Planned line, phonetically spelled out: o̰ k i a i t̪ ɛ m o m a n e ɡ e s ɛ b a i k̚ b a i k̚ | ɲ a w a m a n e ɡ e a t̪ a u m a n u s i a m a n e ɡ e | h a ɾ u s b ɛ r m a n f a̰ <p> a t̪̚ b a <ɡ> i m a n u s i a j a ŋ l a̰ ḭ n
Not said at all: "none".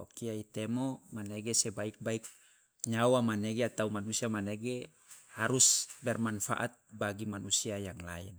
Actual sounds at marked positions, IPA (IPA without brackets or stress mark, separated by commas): ʔ, ɡ